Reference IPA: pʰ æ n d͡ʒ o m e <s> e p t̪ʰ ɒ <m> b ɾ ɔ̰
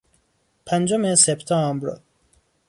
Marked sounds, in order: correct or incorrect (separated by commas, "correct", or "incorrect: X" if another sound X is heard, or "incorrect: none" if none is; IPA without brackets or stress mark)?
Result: correct, correct